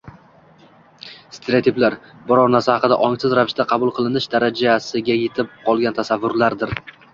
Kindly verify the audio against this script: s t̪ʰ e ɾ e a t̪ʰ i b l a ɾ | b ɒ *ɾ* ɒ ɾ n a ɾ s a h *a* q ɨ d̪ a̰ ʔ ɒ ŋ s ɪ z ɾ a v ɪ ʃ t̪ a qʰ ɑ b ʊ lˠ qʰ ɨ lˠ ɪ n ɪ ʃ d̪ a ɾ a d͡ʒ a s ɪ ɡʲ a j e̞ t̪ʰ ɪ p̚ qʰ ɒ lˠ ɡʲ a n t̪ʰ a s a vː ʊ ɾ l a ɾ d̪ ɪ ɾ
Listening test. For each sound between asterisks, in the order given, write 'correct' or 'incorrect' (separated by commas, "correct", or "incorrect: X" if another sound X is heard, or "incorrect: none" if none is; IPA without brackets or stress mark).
correct, incorrect: ɑ